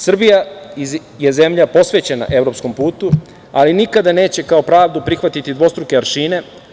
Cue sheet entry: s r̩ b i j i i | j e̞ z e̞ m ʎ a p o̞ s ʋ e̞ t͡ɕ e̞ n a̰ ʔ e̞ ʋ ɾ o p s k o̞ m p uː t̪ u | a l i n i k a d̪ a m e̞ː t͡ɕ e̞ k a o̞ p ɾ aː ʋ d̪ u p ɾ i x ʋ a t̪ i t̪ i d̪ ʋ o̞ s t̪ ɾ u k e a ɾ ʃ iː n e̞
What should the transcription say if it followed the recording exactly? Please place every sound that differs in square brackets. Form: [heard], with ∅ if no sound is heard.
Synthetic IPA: s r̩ b i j [a] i | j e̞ z e̞ m ʎ a p o̞ s ʋ e̞ t͡ɕ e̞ n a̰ ʔ e̞ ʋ ɾ o p s k o̞ m p uː t̪ u | a l i n i k a d̪ a [n] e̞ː t͡ɕ e̞ k a o̞ p ɾ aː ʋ d̪ u p ɾ i x ʋ a t̪ i t̪ i d̪ ʋ o̞ s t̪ ɾ u k e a ɾ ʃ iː n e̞